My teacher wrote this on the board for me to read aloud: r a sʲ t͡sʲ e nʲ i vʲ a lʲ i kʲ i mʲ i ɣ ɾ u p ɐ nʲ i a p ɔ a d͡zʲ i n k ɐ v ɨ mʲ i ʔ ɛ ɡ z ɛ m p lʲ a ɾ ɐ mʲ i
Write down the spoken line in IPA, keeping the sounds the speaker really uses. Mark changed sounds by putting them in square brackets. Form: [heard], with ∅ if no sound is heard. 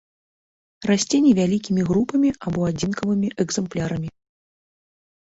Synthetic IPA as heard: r a sʲ t͡sʲ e nʲ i vʲ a lʲ i kʲ i mʲ i ɣ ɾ u p ɐ [mʲ] i a [b] ɔ a d͡zʲ i n k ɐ v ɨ mʲ i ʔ ɛ ɡ z ɛ m p lʲ a ɾ ɐ mʲ i

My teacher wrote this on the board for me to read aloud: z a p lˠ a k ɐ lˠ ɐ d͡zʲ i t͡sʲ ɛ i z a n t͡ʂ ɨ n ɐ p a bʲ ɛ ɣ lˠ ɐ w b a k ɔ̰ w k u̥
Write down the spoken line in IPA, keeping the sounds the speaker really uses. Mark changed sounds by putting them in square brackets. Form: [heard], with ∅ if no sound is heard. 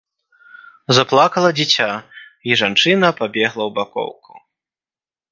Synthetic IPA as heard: z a p lˠ a k ɐ lˠ ɐ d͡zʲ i t͡sʲ [a] i [ʐ] a n t͡ʂ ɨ n ɐ p a bʲ ɛ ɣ lˠ ɐ w b a k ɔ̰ w k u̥

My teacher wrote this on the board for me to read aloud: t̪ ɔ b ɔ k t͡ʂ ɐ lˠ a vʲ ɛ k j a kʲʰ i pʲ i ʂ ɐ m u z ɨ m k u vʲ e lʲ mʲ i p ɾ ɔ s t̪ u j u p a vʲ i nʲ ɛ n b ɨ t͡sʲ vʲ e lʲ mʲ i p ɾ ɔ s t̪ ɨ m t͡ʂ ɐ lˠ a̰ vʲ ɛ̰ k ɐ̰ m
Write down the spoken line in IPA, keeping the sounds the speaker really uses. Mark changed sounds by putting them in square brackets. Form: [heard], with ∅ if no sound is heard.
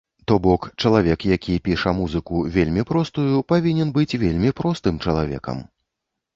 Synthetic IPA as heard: t̪ ɔ b ɔ k t͡ʂ ɐ lˠ a vʲ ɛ k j a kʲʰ i pʲ i ʂ ɐ m u z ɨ [∅] k u vʲ e lʲ mʲ i p ɾ ɔ s t̪ u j u p a vʲ i nʲ ɛ n b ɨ t͡sʲ vʲ e lʲ mʲ i p ɾ ɔ s t̪ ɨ m t͡ʂ ɐ lˠ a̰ vʲ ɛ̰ k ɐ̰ m

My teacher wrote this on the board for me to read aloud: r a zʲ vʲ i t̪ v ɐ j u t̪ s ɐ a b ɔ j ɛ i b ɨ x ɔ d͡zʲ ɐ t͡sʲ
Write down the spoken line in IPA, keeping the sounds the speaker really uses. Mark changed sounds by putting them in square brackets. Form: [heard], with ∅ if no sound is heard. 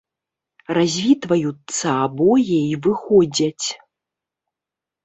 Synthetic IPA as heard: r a zʲ vʲ i t̪ v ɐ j u t̪ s ɐ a b ɔ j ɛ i [v] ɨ x ɔ d͡zʲ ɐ t͡sʲ

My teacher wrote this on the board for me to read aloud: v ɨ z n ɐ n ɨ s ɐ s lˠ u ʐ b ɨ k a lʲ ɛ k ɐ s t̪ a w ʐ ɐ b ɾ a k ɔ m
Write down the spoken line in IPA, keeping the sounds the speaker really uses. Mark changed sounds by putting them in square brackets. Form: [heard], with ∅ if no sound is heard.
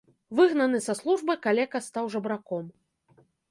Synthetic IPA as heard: v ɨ [ɣ] n ɐ n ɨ s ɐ s lˠ u ʐ b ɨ k a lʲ ɛ k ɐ s t̪ a w ʐ ɐ b ɾ a k ɔ m

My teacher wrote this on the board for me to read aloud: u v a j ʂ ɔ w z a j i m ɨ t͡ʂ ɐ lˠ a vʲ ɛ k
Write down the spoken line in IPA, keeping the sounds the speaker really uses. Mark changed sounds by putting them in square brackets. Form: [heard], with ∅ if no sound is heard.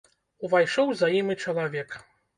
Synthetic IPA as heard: u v a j ʂ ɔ w z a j i m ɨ t͡ʂ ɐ lˠ a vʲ ɛ k

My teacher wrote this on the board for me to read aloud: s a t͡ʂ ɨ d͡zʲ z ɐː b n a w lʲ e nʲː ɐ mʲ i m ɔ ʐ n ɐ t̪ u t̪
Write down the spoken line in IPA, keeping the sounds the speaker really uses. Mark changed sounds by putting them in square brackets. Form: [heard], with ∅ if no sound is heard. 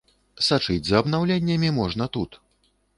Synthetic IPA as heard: s a t͡ʂ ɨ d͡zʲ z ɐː b n a w lʲ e nʲː ɐ mʲ i m ɔ ʐ n ɐ t̪ u t̪

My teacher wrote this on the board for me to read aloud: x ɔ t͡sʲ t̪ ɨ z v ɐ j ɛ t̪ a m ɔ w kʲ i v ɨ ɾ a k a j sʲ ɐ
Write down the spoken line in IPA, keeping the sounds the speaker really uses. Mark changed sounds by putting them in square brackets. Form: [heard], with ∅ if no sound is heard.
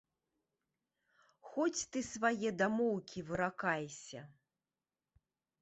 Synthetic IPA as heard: x ɔ t͡sʲ t̪ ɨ [s] v [a] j ɛ [d̪] a m ɔ w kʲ i v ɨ ɾ a k a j sʲ ɐ

